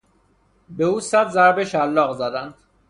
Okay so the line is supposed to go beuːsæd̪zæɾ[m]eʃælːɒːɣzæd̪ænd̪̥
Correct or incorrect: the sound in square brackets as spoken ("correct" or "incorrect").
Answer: incorrect